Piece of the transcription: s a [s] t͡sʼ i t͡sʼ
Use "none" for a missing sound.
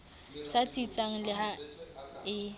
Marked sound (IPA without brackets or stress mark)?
none